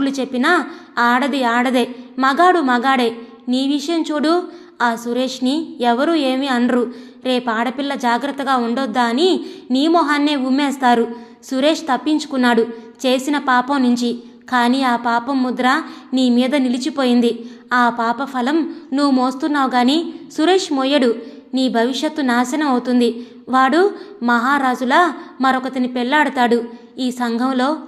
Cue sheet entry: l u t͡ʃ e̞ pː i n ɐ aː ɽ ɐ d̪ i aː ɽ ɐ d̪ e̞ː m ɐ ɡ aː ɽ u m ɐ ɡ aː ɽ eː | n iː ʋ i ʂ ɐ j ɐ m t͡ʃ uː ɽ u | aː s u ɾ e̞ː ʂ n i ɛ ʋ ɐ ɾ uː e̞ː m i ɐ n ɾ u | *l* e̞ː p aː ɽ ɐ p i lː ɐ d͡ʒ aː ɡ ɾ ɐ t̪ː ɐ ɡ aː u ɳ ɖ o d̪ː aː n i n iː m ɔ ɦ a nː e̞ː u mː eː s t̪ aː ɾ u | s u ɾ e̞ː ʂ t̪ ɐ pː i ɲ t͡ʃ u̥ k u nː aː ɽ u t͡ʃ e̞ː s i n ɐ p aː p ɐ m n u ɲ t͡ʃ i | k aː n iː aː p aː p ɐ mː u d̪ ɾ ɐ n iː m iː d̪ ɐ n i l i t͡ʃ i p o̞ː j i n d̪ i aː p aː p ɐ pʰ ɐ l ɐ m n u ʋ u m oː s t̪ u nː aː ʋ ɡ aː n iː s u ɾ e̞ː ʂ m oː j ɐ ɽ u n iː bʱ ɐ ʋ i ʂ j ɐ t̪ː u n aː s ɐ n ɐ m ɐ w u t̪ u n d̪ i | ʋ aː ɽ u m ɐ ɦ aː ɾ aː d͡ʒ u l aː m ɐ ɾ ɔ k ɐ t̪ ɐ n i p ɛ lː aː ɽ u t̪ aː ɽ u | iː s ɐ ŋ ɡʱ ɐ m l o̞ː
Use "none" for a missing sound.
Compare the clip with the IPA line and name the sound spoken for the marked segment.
ɾ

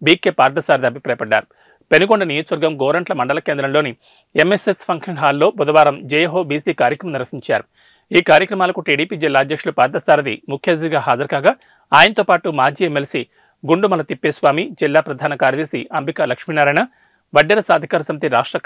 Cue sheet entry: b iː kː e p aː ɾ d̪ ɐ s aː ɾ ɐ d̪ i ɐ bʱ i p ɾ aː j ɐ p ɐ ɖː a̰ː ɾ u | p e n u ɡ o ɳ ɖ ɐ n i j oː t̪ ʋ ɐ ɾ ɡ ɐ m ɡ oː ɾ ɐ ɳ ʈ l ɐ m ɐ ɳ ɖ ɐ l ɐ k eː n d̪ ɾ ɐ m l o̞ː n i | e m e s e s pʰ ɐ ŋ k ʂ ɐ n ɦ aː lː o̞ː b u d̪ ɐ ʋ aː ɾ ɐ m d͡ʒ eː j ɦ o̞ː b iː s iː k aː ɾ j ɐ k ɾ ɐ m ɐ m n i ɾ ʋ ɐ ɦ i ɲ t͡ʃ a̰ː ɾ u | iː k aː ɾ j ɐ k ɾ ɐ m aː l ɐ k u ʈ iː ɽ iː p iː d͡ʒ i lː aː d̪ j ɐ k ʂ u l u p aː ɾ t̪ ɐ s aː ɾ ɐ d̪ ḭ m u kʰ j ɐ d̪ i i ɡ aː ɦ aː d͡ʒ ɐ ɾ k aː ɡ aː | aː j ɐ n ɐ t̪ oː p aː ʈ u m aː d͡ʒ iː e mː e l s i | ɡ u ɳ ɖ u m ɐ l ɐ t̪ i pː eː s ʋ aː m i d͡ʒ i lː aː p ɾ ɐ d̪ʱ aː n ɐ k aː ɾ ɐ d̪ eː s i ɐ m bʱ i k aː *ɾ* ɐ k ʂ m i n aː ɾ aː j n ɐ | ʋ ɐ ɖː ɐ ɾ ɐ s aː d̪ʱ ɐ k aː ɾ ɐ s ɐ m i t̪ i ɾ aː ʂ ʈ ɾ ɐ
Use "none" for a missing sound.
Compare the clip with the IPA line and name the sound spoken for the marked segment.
l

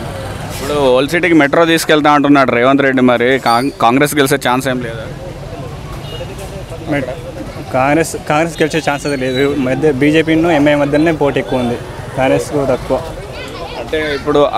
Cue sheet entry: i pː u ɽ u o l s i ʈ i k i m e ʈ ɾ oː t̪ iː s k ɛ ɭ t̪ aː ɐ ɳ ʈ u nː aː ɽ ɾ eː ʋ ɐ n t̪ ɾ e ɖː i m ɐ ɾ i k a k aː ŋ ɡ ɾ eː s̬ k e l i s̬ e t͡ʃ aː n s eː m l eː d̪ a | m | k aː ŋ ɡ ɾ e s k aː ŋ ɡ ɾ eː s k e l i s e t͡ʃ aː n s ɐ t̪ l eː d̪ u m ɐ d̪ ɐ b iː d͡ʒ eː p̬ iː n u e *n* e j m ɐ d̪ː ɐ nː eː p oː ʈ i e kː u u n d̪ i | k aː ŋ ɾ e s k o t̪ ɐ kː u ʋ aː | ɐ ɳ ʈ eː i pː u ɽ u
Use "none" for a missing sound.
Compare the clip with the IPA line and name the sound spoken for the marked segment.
m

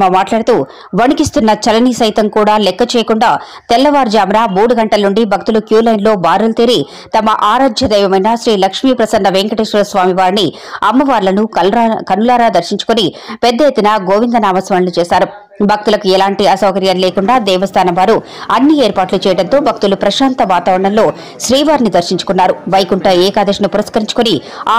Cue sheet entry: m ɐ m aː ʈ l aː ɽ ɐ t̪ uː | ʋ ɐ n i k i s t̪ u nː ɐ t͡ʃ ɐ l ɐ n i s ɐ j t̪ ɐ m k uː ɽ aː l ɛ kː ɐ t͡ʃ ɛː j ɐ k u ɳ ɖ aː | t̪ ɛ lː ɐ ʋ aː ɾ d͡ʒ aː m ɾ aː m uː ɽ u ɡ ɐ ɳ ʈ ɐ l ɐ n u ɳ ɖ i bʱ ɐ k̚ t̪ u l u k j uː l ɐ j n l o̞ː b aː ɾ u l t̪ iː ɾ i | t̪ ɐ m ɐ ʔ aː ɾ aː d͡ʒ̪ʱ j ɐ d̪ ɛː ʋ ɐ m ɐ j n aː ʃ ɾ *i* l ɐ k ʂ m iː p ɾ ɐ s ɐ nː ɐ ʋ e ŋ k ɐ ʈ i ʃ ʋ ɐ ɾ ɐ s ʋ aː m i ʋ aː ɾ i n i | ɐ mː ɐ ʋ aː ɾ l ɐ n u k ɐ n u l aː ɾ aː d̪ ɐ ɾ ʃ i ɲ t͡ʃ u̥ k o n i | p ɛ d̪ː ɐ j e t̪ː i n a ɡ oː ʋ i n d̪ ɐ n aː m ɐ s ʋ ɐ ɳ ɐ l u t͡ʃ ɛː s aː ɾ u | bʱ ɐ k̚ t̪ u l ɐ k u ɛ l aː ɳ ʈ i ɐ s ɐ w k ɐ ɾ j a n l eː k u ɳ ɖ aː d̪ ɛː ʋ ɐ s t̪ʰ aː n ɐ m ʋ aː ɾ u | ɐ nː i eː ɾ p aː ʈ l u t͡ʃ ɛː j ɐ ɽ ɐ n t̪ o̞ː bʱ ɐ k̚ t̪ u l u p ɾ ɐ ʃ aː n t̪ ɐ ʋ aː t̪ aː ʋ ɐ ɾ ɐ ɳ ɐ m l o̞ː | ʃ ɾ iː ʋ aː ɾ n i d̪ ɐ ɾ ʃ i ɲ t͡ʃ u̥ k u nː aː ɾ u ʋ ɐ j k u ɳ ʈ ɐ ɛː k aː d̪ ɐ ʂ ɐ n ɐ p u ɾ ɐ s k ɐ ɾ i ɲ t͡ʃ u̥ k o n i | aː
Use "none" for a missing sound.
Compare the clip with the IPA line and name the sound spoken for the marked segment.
iː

